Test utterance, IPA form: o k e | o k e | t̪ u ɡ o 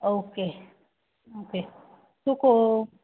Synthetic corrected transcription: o k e | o k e | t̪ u k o